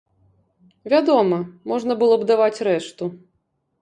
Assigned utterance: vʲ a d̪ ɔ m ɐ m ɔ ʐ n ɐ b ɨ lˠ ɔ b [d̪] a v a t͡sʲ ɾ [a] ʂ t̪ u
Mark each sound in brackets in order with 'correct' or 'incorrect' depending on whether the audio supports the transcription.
correct, incorrect: ɛ

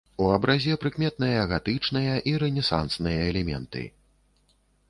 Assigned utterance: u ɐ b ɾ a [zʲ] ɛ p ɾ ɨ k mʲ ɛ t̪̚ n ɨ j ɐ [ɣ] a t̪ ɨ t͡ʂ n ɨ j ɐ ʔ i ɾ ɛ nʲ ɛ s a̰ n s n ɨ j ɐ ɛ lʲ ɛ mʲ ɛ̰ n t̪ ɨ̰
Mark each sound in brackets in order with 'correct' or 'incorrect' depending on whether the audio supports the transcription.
correct, correct

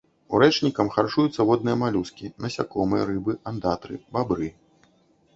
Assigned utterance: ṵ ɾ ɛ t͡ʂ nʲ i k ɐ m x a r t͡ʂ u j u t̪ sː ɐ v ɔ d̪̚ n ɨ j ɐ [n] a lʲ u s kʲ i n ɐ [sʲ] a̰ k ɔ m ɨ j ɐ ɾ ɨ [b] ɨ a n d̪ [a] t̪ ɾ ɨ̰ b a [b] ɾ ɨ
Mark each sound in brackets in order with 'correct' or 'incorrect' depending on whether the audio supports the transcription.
incorrect: m, correct, correct, correct, correct

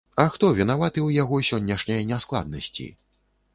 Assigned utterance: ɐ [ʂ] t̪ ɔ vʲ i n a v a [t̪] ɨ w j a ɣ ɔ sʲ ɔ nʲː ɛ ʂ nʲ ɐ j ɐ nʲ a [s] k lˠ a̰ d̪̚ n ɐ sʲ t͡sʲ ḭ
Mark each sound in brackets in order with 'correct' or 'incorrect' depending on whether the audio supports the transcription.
incorrect: x, correct, correct

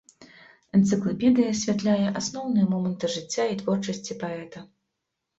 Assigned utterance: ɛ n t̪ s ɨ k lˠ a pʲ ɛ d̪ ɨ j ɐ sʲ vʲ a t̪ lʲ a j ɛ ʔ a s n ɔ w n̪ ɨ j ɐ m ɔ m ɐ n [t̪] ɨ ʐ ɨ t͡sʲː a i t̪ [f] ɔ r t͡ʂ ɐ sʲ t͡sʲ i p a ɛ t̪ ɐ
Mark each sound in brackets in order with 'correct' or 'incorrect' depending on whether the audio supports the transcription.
correct, incorrect: v

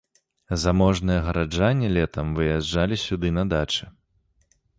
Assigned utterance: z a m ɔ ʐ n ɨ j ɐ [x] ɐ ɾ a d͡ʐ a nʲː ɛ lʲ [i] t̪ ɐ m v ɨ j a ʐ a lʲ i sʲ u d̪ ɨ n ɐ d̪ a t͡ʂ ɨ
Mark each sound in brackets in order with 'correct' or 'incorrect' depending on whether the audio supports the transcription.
incorrect: ɣ, incorrect: ɛ

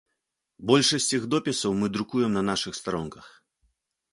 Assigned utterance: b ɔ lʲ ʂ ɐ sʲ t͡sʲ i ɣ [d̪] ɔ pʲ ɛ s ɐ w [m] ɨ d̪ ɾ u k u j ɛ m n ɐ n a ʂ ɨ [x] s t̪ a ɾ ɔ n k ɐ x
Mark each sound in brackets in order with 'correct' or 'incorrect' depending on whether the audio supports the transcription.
correct, correct, correct

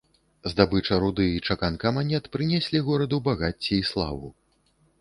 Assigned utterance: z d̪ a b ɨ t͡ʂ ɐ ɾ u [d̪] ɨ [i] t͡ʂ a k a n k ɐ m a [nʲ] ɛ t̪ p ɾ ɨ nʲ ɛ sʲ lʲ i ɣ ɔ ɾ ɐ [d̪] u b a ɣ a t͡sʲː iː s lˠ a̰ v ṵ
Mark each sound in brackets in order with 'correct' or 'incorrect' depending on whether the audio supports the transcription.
correct, correct, correct, correct

